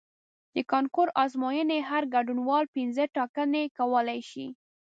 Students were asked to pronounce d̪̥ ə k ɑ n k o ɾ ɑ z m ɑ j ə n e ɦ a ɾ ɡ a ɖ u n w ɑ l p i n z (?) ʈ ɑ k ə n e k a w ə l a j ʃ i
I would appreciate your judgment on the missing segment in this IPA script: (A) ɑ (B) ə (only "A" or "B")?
B